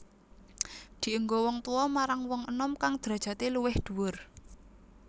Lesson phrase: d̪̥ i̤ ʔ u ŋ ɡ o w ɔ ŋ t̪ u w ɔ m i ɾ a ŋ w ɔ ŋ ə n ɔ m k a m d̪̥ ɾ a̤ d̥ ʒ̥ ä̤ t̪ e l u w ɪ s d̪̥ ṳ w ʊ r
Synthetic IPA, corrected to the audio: d̪̥ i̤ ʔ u ŋ ɡ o w ɔ ŋ t̪ u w ɔ m a ɾ a ŋ w ɔ ŋ ə n ɔ m k a ŋ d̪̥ ɾ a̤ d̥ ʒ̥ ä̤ t̪ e l u w ɪ h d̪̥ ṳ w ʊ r